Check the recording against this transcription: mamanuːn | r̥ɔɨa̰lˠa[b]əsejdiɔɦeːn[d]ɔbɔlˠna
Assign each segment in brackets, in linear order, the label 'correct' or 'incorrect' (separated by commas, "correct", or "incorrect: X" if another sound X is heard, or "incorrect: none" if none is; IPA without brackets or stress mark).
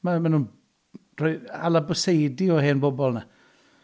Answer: correct, incorrect: b